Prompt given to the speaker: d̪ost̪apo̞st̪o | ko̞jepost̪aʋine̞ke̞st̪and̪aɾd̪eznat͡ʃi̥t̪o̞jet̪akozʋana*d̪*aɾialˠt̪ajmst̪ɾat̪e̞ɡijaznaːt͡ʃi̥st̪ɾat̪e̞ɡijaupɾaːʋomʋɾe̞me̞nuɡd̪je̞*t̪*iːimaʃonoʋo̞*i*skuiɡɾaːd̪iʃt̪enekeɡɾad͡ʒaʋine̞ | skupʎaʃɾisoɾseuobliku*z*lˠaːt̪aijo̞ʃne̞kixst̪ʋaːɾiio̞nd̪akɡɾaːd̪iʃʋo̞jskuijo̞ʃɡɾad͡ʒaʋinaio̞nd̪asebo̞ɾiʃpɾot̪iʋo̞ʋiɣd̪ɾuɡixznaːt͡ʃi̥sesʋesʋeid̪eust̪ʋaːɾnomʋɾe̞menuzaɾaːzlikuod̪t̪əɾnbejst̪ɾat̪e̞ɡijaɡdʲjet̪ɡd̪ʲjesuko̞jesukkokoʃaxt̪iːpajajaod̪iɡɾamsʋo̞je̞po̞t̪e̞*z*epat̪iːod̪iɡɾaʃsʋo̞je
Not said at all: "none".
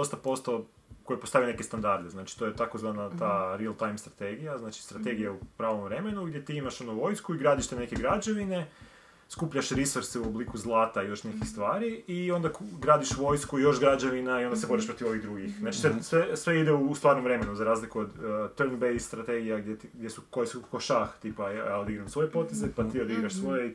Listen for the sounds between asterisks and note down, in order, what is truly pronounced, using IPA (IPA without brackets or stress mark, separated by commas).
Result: t̪, t̪, j, z, z